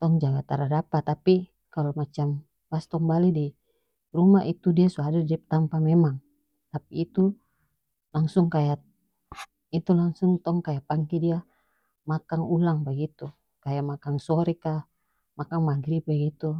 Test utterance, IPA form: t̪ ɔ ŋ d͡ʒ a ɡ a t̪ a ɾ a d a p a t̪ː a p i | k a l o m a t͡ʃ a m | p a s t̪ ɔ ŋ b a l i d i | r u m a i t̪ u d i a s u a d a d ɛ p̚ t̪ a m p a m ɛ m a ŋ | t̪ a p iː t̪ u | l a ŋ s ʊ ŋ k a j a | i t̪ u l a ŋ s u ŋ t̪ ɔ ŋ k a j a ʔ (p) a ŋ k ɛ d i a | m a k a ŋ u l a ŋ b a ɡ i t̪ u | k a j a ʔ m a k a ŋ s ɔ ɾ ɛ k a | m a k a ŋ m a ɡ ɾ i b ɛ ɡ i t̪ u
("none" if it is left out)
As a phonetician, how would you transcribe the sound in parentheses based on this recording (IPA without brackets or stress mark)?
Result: p